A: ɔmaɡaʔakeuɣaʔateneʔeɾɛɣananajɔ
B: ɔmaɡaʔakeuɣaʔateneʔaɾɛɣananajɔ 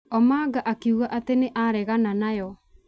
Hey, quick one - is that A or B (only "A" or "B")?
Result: B